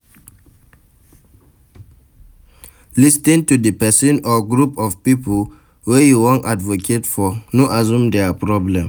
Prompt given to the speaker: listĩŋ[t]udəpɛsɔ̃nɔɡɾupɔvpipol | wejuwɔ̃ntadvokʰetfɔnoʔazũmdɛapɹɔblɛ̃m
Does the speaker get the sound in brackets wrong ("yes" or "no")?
no